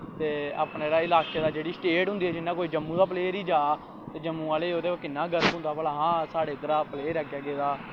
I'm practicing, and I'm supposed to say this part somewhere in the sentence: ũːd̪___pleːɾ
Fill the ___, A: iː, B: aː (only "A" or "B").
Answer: B